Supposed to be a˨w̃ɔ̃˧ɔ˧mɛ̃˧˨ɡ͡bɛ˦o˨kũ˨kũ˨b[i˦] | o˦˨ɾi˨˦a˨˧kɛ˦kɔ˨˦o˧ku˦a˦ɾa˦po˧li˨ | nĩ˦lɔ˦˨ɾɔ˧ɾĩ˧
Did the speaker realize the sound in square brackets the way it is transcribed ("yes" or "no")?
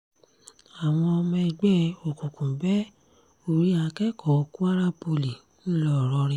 no